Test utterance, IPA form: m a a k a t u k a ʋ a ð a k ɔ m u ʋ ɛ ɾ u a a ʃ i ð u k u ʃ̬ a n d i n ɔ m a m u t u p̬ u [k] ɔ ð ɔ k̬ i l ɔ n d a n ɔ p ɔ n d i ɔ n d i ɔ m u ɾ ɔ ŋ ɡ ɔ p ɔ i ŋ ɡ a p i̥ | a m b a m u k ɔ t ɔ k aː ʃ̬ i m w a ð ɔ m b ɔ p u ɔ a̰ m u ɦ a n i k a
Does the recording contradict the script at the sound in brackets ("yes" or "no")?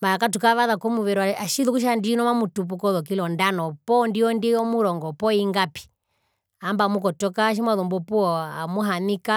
no